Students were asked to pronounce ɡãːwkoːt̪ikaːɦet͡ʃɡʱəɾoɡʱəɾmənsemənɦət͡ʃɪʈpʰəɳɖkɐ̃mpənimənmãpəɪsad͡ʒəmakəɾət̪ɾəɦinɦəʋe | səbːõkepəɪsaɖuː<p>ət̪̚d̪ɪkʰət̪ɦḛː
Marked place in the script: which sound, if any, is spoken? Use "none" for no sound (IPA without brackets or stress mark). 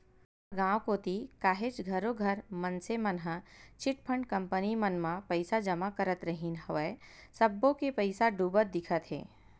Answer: b